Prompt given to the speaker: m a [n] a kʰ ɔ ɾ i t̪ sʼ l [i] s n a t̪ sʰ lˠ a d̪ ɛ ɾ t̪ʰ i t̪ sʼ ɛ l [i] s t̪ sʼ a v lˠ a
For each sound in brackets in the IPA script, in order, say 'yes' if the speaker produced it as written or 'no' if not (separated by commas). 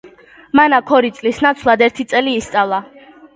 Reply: yes, yes, no